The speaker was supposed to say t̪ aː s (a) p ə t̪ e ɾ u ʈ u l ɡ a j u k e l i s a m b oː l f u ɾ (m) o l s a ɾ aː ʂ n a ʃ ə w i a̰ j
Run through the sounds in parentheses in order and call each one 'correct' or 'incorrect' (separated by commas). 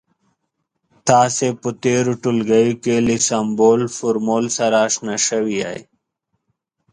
incorrect, correct